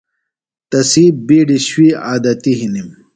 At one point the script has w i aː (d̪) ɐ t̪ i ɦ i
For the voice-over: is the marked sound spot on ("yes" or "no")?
yes